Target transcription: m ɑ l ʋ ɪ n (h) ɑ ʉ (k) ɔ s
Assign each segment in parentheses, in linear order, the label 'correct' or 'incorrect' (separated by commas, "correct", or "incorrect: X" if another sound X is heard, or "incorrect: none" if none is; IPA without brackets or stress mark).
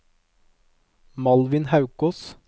correct, correct